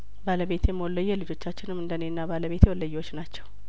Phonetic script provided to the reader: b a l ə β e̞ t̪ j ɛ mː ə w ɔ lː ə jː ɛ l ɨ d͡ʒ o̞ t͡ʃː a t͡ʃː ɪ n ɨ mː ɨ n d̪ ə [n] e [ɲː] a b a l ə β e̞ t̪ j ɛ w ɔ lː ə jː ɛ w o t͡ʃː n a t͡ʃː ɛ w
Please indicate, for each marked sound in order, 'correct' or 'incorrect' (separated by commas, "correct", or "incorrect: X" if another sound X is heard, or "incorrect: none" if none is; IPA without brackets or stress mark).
correct, incorrect: nː